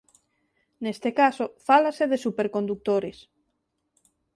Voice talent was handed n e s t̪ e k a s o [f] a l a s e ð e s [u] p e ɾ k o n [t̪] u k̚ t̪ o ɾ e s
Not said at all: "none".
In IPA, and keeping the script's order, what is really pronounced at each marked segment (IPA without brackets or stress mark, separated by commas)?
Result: f, u, d̪